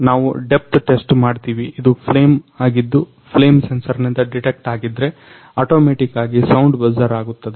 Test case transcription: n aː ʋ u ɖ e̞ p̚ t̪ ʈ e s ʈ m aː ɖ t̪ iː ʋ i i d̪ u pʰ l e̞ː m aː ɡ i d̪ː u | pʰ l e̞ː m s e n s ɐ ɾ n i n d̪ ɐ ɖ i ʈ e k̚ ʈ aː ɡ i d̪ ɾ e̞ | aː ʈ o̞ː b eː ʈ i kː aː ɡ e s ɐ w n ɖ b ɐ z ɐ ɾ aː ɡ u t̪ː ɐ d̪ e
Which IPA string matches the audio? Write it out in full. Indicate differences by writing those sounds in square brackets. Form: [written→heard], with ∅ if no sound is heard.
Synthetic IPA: n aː ʋ u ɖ e̞ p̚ t̪ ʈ e s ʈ m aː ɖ t̪ iː ʋ i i d̪ u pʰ l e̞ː m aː ɡ i d̪ː u | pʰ l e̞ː m s e n s ɐ ɾ n i n d̪ ɐ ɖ i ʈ e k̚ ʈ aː ɡ i d̪ ɾ e̞ | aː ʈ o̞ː [b→m] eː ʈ i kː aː ɡ [e→i] s ɐ w [n→ɳ] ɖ b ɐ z ɐ ɾ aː ɡ u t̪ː ɐ d̪ e